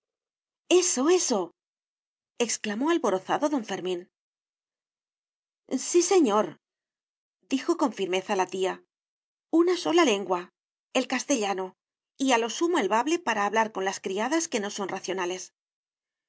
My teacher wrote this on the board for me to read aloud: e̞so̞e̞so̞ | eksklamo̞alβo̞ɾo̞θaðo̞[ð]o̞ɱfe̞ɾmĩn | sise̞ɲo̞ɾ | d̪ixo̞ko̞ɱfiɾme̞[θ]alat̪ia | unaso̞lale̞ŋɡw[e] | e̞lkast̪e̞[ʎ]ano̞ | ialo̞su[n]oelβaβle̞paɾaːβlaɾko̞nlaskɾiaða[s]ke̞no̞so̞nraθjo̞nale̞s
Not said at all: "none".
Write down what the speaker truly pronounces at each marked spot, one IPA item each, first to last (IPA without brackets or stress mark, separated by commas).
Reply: ð, θ, a, ʎ, m, s